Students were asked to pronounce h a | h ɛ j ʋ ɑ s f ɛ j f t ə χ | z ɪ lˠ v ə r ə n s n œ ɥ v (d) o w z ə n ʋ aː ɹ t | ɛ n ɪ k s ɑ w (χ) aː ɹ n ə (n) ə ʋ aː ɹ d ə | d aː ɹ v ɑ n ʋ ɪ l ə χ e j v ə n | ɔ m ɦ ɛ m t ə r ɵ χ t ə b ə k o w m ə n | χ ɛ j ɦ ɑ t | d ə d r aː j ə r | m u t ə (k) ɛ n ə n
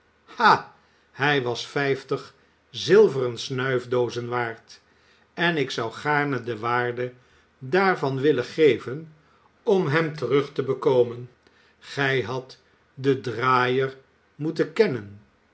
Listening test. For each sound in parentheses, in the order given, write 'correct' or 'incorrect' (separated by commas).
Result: correct, correct, incorrect, correct